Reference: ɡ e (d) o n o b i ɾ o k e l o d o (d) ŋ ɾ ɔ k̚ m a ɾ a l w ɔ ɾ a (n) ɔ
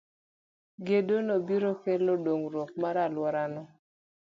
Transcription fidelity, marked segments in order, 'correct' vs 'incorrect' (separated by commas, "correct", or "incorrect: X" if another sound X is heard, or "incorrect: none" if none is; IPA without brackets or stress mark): correct, incorrect: none, correct